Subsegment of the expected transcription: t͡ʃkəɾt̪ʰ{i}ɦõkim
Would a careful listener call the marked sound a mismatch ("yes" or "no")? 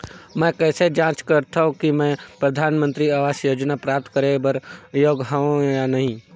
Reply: yes